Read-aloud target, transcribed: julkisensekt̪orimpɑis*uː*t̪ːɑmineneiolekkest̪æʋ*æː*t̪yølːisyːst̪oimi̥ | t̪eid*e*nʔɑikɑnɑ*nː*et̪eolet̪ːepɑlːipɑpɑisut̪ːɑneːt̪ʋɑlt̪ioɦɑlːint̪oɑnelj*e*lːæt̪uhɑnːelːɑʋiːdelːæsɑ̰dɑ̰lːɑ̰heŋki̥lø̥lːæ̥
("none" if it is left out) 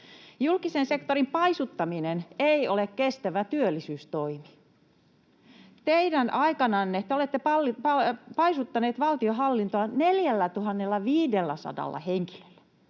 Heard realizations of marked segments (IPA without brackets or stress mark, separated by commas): u, æ, æ, nː, æ